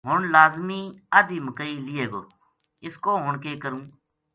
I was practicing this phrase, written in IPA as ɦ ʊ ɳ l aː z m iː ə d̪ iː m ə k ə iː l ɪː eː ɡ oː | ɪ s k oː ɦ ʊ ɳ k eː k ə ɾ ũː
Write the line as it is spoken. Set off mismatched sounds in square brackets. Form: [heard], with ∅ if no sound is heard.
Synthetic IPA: ɦ ʊ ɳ l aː z m iː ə d̪ iː m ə k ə iː l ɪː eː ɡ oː | ɪ s k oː ɦ ʊ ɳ k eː k ə ɾ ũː

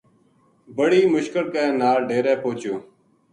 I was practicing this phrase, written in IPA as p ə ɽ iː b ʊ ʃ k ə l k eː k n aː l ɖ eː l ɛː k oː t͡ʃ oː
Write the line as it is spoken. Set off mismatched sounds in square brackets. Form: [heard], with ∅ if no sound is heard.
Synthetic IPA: [b] ə ɽ iː [m] ʊ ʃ k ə l k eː [∅] n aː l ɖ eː [ɾ] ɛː [p] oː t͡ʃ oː

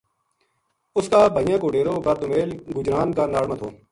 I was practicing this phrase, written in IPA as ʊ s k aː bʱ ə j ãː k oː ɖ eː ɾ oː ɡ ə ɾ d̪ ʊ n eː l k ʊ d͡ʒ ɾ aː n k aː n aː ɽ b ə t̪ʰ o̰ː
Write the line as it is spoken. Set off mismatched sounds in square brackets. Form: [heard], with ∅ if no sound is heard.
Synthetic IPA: ʊ s k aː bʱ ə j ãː k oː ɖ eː ɾ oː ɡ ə ɾ d̪ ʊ [m] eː l [ɡ] ʊ d͡ʒ ɾ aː n k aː n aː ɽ [m] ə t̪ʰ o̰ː

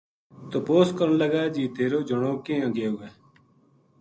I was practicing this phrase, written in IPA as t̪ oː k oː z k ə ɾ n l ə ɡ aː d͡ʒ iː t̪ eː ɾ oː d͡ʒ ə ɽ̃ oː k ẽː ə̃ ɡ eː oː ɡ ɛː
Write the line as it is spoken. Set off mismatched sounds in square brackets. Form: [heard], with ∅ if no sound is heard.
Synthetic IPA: t̪ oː [p] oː [s] k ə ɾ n l ə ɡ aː d͡ʒ iː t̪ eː ɾ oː d͡ʒ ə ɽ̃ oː k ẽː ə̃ ɡ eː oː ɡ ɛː

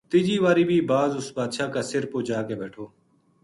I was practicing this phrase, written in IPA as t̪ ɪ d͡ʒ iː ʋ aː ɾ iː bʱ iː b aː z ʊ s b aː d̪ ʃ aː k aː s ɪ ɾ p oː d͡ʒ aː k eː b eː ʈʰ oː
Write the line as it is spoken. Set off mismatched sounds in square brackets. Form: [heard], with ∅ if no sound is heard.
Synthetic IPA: t̪ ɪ d͡ʒ iː ʋ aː ɾ iː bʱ iː b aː z ʊ s b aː d̪ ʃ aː k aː s ɪ ɾ p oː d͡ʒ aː k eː b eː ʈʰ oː

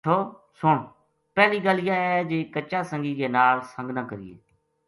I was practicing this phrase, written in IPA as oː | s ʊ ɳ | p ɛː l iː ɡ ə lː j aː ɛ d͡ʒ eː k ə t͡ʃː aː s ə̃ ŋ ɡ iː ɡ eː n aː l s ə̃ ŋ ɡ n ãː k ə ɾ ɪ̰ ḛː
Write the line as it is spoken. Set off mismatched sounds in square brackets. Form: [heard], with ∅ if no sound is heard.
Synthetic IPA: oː | s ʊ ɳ | p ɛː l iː ɡ ə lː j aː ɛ d͡ʒ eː k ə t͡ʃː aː s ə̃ ŋ ɡ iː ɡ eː n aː l s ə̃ ŋ ɡ n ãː k ə ɾ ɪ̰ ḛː

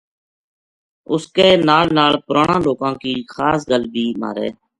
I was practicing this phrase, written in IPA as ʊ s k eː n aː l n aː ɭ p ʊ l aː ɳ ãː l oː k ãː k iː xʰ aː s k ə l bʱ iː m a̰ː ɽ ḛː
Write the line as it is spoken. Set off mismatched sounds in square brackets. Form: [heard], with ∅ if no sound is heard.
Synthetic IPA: ʊ s k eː n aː l n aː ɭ p ʊ [ɾ] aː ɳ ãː l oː k ãː k iː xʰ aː s [ɡ] ə l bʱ iː m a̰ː [ɾ] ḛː

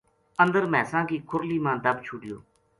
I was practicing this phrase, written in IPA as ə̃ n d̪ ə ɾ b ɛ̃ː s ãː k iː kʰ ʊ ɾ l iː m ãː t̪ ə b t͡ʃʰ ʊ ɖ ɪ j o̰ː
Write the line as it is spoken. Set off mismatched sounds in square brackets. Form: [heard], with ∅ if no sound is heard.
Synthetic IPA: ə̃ n d̪ ə ɾ [m] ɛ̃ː s ãː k iː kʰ ʊ ɾ l iː m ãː [d̪] ə b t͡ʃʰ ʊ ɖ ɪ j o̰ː

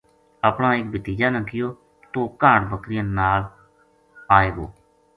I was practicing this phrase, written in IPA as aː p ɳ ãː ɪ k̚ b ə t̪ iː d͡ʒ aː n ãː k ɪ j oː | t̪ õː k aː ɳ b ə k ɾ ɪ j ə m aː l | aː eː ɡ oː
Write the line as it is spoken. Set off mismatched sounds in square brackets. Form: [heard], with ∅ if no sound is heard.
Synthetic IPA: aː p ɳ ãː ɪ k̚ b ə t̪ iː d͡ʒ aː n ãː k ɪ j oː | t̪ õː k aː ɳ b ə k ɾ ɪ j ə [n] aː l | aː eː ɡ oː

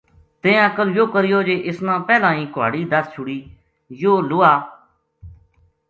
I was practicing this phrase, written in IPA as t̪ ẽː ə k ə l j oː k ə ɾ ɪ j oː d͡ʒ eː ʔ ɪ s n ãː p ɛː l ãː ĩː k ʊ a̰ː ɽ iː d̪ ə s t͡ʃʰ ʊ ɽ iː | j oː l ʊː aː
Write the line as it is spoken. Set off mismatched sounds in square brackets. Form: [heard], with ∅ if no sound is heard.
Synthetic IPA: t̪ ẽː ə k ə l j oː k ə ɾ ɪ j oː d͡ʒ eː ʔ ɪ s n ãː p ɛː l ãː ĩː k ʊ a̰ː ɽ iː d̪ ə s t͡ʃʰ ʊ ɽ iː | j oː l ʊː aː

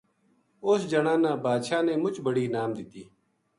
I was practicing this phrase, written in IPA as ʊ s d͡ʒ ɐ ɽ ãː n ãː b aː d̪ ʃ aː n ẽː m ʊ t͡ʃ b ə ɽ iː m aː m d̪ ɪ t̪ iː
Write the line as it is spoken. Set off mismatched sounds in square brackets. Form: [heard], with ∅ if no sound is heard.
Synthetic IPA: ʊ s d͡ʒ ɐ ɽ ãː n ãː b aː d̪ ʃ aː n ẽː m ʊ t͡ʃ b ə ɽ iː [n] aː m d̪ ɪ t̪ iː

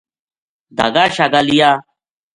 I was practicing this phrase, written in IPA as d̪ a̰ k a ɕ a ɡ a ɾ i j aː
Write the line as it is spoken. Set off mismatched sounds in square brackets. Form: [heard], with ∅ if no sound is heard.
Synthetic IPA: d̪ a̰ [ɡ] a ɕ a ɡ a [l] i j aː

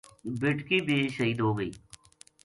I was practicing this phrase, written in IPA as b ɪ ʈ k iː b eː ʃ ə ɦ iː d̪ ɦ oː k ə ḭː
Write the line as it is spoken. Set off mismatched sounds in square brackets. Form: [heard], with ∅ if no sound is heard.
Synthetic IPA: b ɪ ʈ k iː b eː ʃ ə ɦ iː d̪ ɦ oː [ɡ] ə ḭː

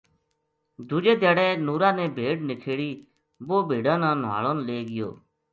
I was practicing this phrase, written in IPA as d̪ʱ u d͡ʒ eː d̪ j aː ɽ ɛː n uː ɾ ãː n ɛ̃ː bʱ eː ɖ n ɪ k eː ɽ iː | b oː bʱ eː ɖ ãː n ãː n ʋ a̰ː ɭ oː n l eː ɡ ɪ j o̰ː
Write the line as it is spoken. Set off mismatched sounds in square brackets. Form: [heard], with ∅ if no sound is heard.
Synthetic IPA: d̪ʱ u d͡ʒ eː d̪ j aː ɽ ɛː n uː ɾ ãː n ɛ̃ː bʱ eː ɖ n ɪ [kʰ] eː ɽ iː | b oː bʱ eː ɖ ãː n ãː n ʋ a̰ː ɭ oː n l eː ɡ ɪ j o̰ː

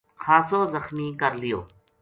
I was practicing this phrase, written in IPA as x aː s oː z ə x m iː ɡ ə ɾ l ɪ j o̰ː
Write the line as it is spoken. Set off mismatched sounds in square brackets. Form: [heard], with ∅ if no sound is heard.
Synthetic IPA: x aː s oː z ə x m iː [k] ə ɾ l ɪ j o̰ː

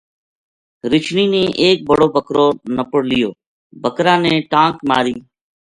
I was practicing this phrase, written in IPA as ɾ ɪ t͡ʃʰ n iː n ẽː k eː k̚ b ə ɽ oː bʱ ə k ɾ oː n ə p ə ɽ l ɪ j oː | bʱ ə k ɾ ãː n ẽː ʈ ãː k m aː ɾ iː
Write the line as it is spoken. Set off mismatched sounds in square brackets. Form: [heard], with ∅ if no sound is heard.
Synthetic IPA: ɾ ɪ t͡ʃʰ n iː n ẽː [ʔ] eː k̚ b ə ɽ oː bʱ ə k ɾ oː n ə p ə ɽ l ɪ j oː | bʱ ə k ɾ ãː n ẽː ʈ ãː k m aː ɾ iː

